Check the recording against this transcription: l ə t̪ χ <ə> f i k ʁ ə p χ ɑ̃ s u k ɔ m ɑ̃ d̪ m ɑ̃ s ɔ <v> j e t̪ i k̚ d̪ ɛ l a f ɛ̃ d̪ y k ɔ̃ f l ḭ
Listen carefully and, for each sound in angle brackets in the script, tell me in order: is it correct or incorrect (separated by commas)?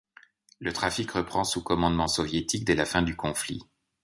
incorrect, correct